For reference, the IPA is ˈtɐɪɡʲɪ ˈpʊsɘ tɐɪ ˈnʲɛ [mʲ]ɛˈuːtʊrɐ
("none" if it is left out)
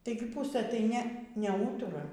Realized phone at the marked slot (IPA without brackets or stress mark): nʲ